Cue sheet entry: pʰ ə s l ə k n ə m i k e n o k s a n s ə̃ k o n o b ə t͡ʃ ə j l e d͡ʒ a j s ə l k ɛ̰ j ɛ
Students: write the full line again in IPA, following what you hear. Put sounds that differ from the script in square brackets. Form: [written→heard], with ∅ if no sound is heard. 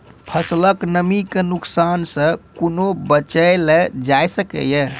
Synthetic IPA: pʰ ə s l ə k n ə m i k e n [o→u] k s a n s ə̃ k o n o b ə t͡ʃ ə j l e d͡ʒ a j s ə [l→∅] k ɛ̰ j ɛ

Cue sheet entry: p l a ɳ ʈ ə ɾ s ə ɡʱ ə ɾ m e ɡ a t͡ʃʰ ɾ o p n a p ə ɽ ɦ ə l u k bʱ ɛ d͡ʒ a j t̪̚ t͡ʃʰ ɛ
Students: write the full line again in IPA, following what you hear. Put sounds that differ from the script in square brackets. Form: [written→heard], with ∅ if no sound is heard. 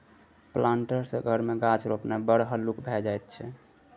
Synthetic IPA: p l a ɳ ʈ ə ɾ s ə ɡʱ ə ɾ m e ɡ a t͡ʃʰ ɾ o p n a [p→b] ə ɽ ɦ ə l u k bʱ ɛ d͡ʒ a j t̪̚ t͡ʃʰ ɛ

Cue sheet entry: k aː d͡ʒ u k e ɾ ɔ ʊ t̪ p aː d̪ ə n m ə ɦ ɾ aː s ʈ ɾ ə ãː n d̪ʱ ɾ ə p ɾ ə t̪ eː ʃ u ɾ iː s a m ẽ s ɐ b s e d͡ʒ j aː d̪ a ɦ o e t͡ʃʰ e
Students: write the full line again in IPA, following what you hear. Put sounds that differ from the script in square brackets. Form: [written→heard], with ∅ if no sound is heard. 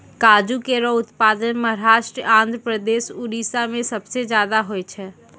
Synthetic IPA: k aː d͡ʒ u k e ɾ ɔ ʊ t̪ p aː d̪ ə n m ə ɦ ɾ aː [s→ʃ] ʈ ɾ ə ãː n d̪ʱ ɾ ə p ɾ ə [t̪→d̪] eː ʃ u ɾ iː s a m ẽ s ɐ b s e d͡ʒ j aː d̪ a ɦ o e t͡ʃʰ [e→ɛ]

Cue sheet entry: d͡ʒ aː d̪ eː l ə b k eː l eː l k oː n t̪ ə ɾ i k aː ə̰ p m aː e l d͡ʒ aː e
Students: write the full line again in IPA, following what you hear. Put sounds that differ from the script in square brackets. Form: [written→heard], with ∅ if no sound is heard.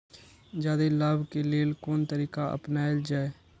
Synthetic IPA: d͡ʒ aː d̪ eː l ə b k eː l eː l k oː n t̪ ə ɾ [i→iː] k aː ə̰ p [m→n] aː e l d͡ʒ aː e

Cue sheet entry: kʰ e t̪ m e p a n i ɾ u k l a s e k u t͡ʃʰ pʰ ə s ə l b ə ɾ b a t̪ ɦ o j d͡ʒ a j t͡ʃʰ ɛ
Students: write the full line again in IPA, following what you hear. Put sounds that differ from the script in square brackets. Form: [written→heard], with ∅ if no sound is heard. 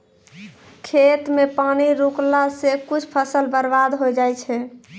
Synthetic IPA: kʰ e t̪ m e p a n i ɾ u k l a s e k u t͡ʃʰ pʰ ə s ə l b ə ɾ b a [t̪→d̪] ɦ o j d͡ʒ a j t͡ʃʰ ɛ

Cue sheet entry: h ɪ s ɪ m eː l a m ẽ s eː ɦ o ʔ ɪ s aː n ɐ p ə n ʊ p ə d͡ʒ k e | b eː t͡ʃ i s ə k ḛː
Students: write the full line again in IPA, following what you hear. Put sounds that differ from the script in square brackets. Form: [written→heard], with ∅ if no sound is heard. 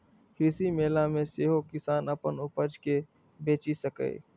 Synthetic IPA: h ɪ s [ɪ→i] m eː l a m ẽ s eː ɦ o [ʔ→k] ɪ s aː n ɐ p ə n ʊ p ə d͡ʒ k e | b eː t͡ʃ i s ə k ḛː

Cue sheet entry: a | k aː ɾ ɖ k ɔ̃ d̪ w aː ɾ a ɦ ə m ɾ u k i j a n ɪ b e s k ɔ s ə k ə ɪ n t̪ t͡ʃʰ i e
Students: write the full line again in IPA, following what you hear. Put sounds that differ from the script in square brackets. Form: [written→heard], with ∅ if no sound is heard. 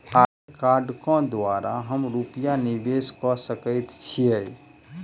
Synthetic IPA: a | k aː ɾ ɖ k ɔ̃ d̪ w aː ɾ a ɦ ə m ɾ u [k→p] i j a n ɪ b e s k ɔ s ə k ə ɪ [n→∅] t̪ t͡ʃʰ i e

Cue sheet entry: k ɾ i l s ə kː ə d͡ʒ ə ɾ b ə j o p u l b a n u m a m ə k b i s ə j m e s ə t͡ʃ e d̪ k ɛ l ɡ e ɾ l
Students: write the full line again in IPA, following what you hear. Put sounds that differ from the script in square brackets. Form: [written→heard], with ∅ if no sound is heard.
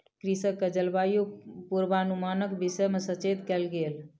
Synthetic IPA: k ɾ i [l→∅] s ə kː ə d͡ʒ ə [ɾ→l] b [ə→a] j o p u [l→ɾ] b a n u m a [m→n] ə k b i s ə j m e s ə t͡ʃ e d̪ k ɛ l ɡ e [ɾ→∅] l

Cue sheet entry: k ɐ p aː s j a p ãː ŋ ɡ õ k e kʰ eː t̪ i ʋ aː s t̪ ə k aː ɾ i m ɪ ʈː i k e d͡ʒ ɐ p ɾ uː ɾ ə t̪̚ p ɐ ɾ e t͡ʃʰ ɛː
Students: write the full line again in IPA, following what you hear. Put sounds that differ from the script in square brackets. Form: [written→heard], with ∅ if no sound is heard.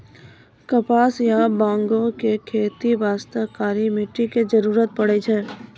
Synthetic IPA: k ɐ p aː s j a [p→b] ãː ŋ ɡ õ k e kʰ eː t̪ i ʋ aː s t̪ ə k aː ɾ i m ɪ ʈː i k e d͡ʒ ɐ [p→∅] ɾ uː ɾ ə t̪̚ p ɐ [ɾ→ɽ] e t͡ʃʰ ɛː

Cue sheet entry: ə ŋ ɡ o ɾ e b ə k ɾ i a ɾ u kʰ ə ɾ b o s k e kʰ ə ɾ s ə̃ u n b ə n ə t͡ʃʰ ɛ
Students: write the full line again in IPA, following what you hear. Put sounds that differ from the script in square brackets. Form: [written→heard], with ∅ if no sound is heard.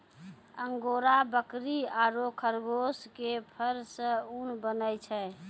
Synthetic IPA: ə ŋ ɡ o ɾ [e→a] b ə k ɾ i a ɾ [u→o] kʰ ə ɾ [b→ɡ] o s k e [kʰ→pʰ] ə ɾ s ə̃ u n b ə n ə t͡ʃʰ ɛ

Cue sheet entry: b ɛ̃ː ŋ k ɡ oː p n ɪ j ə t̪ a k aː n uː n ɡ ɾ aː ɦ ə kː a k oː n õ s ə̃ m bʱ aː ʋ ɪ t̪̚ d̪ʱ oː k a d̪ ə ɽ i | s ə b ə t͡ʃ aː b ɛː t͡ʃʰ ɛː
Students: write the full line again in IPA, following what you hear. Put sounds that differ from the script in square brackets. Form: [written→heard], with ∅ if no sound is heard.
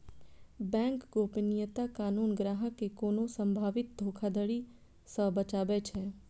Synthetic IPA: b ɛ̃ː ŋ k ɡ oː p n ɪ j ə t̪ a k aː n uː n ɡ ɾ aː ɦ ə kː [a→e] k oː n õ s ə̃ m bʱ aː ʋ ɪ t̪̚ d̪ʱ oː [k→kʰ] a d̪ ə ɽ i | s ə b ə t͡ʃ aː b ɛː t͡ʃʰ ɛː

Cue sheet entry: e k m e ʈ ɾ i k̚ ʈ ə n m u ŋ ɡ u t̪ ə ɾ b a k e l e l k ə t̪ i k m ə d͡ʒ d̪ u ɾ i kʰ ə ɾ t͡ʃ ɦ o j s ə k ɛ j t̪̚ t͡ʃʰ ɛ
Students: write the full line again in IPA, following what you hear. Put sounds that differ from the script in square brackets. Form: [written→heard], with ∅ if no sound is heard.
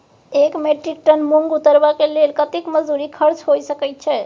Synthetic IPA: e k m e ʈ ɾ i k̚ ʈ ə n m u ŋ ɡ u t̪ ə ɾ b a k e l e l k ə t̪ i k m ə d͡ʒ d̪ u ɾ i kʰ ə ɾ t͡ʃ ɦ o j s ə k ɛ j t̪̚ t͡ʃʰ ɛ

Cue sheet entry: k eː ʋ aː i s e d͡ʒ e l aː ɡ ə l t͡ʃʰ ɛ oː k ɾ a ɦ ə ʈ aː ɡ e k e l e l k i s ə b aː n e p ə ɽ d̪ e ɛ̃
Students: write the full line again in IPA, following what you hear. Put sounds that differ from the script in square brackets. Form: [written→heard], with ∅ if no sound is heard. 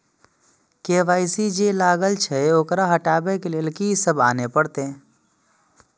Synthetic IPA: k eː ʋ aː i s [e→i] d͡ʒ e l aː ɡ ə l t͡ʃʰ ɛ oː k ɾ a ɦ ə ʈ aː [ɡ→b] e k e l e l k i s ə b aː n e p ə ɽ [d̪→t̪] e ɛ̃

